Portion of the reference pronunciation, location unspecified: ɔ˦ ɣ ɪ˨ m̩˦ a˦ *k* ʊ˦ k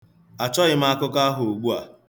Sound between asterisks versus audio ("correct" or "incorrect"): correct